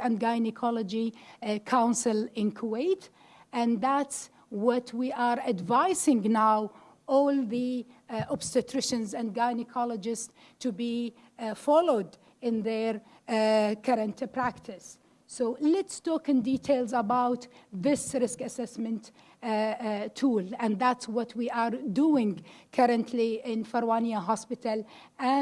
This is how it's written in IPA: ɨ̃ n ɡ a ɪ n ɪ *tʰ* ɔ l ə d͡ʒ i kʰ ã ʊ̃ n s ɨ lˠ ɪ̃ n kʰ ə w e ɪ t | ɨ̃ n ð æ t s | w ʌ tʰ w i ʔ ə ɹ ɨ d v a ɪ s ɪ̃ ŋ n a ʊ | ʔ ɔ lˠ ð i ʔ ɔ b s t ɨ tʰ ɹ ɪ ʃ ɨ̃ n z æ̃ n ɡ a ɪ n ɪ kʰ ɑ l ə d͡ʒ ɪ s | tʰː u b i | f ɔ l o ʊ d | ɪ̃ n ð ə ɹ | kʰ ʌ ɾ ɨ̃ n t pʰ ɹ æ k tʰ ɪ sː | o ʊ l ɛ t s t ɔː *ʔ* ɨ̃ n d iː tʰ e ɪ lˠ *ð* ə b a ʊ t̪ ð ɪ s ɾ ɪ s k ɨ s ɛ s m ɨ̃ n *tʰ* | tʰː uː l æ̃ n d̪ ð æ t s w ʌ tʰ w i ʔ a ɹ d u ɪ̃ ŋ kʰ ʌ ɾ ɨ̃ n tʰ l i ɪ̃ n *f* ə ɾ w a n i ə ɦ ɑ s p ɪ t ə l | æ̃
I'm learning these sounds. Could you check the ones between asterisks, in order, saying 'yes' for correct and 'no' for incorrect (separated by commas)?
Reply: no, no, no, no, yes